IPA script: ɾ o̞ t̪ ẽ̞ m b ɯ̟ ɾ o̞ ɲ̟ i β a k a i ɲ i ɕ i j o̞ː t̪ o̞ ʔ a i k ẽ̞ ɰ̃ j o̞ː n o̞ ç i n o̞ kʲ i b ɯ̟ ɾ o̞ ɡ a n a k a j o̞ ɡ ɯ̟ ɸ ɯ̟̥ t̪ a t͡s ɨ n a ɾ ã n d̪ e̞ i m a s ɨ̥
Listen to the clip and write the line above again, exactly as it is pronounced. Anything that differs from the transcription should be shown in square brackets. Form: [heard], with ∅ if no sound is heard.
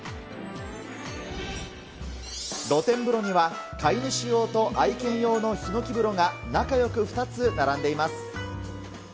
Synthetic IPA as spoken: ɾ o̞ t̪ ẽ̞ m b ɯ̟ ɾ o̞ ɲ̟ i β a k a i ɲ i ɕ i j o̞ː t̪ o̞ ʔ a i k ẽ̞ ɰ̃ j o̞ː n o̞ ç i n o̞ kʲ i b ɯ̟ ɾ o̞ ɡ a n a k a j o̞ [k] ɯ̟ ɸ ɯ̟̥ t̪ a t͡s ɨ n a ɾ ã n d̪ e̞ i m a s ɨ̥